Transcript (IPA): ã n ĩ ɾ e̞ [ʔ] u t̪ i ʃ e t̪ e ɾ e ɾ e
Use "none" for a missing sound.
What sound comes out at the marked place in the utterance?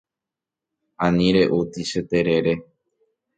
ʔ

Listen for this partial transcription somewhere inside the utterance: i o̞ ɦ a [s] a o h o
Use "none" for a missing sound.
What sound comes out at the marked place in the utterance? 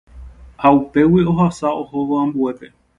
s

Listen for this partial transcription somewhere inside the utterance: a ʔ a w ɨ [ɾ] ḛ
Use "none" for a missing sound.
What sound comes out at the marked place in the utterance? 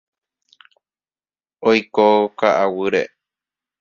ɾ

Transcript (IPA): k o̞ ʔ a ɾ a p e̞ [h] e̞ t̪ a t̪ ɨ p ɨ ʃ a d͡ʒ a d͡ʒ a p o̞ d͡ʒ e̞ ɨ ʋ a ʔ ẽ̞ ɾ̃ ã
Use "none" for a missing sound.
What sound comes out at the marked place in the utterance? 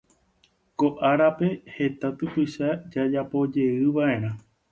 h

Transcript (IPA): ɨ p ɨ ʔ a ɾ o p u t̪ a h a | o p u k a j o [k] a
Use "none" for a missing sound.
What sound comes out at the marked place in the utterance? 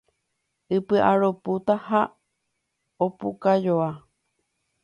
none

